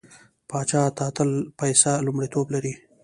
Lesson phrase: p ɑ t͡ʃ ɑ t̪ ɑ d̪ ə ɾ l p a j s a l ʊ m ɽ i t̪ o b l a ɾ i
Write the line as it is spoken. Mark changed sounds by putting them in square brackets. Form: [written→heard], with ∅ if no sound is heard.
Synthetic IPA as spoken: p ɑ t͡ʃ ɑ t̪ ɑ [d̪→t̪] ə [ɾ→∅] l p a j s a l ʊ m ɽ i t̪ o b l a ɾ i